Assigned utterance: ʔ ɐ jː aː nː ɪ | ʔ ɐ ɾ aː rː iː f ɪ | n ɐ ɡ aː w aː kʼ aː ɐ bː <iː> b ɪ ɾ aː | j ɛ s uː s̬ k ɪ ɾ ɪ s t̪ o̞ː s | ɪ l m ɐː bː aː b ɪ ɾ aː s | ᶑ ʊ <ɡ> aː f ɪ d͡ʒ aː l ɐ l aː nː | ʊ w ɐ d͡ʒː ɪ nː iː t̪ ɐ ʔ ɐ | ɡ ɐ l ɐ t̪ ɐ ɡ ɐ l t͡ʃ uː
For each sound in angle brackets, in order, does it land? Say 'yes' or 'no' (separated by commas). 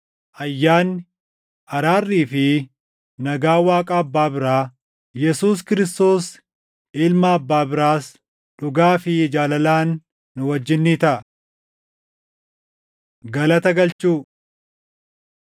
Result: no, yes